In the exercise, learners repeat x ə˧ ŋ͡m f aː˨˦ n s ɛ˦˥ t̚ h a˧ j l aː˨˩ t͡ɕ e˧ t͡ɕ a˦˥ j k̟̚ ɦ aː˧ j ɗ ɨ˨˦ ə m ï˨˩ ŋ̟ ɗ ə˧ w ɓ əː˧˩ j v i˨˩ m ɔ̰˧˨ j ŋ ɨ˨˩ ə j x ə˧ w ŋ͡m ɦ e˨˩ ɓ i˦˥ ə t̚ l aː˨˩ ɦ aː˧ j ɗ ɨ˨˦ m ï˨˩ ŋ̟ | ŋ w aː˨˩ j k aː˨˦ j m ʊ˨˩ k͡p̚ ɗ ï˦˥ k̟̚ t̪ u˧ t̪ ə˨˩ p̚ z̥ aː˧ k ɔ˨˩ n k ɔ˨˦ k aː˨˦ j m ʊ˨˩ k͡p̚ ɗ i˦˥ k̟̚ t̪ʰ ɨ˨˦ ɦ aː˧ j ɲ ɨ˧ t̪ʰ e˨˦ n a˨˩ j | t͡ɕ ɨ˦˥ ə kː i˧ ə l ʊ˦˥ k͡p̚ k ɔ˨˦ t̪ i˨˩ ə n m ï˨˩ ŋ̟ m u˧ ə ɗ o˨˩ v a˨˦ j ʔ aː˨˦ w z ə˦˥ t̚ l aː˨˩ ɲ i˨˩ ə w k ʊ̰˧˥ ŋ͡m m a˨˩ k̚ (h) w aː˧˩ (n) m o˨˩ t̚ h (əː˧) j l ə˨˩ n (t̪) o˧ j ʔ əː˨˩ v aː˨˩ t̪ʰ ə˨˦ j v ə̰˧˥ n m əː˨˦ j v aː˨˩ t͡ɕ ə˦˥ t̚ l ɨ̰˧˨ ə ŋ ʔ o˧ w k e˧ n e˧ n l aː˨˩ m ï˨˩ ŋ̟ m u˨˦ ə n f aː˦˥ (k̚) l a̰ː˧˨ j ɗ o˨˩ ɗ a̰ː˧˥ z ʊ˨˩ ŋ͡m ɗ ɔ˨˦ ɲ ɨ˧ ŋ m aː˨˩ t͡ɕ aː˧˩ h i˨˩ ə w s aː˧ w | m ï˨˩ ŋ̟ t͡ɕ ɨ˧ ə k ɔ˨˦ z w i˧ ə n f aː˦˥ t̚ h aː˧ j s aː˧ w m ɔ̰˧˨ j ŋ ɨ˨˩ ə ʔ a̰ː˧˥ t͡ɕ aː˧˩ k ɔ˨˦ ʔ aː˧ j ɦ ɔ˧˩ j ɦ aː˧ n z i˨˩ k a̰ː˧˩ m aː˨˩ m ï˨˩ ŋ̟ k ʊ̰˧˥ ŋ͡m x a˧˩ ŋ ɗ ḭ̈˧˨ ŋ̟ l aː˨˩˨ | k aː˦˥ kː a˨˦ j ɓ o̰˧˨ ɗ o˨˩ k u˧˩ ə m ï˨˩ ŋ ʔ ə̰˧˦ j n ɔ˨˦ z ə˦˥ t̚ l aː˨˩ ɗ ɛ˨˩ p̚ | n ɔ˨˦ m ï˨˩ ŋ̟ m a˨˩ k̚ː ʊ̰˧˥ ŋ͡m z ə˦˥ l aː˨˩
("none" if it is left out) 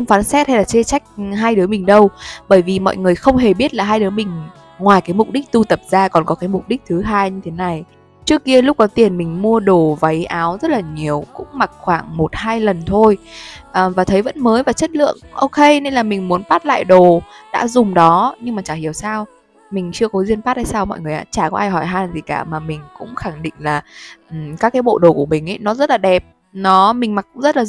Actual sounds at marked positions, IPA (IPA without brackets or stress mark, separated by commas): x, ŋ, aː˧, t̪ʰ, t̚